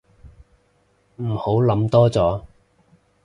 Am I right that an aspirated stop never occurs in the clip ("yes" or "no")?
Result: yes